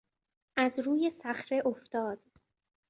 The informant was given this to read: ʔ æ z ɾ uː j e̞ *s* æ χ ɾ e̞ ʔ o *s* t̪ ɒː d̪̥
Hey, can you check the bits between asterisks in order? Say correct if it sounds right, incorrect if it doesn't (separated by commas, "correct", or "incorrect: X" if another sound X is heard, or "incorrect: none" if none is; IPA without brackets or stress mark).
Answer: correct, incorrect: f